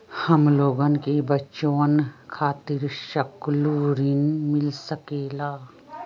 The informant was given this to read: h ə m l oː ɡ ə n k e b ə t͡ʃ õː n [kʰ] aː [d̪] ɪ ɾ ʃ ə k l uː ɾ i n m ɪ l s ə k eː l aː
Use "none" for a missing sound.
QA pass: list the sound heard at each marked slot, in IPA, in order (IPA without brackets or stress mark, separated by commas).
kʰ, t̪